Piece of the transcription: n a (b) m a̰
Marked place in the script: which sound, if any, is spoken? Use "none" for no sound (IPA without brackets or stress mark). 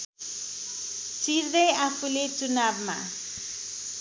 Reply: b